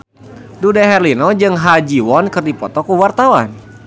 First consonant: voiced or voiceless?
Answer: voiced